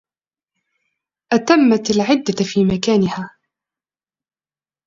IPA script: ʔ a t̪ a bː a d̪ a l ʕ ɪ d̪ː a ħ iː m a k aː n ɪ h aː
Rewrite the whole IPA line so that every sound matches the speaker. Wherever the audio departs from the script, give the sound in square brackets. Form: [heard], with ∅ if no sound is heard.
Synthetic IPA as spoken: ʔ a t̪ a [mː] a [t̪] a l ʕ ɪ d̪ː a [f] iː m a k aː n ɪ h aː